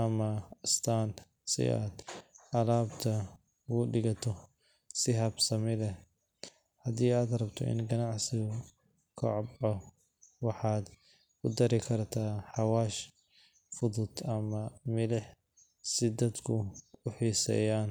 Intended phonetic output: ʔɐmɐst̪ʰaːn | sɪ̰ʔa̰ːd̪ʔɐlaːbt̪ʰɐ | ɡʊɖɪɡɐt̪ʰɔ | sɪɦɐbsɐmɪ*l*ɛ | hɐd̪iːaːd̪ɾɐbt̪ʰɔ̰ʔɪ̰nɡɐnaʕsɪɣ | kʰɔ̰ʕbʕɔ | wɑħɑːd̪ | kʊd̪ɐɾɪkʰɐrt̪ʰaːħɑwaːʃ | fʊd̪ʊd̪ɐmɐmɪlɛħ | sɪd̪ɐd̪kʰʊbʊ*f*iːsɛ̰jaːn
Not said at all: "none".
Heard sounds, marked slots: l, ħ

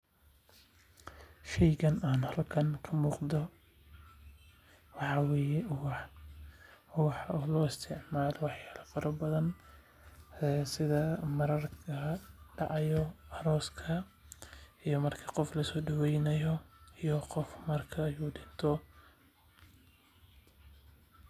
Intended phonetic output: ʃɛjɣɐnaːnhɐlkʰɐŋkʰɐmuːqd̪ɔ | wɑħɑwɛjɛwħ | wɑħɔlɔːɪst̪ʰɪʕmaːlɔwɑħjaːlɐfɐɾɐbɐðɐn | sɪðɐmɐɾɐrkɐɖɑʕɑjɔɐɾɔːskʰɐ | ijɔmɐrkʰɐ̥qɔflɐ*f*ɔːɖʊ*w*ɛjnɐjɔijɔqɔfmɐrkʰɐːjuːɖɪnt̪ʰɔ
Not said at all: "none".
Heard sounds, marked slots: s, w

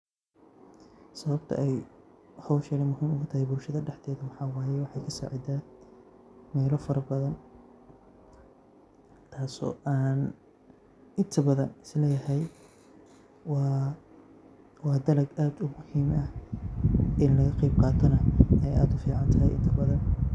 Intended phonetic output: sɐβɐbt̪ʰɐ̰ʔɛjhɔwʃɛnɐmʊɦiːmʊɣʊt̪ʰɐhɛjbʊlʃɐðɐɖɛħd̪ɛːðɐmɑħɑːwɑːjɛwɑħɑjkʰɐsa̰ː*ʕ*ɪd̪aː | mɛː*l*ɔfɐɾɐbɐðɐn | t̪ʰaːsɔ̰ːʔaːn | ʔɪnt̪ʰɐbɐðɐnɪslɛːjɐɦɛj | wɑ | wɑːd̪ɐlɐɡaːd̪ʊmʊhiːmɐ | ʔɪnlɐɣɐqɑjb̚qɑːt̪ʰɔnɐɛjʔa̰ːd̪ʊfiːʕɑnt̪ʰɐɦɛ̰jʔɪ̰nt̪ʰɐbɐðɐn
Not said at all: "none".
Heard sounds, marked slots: ʕ, l

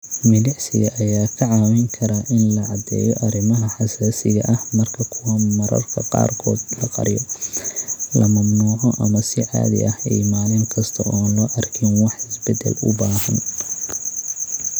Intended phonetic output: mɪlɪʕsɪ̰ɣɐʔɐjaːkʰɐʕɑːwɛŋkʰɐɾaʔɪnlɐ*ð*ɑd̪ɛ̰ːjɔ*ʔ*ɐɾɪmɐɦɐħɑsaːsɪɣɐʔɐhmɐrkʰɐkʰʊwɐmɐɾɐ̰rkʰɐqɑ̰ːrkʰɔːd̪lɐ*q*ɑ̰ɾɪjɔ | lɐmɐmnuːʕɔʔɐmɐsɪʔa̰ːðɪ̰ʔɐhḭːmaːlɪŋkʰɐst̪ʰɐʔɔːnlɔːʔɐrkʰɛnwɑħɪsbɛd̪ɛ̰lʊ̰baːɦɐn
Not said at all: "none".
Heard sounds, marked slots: ʕ, ʔ, q

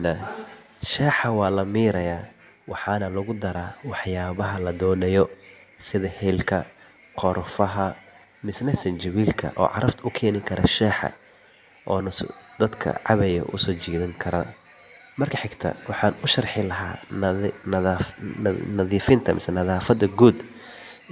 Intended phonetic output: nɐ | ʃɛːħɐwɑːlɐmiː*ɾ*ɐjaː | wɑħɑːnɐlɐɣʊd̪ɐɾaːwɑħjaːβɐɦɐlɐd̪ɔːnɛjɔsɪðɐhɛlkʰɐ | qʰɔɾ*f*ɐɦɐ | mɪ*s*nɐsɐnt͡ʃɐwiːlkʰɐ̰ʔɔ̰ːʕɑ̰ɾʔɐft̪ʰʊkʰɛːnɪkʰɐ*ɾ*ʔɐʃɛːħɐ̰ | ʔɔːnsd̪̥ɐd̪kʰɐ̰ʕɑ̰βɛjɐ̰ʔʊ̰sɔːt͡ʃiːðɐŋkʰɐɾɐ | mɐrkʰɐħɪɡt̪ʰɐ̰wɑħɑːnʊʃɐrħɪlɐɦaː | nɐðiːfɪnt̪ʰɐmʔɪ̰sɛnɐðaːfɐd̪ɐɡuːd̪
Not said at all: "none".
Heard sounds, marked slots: ɾ, f, s, ɾ

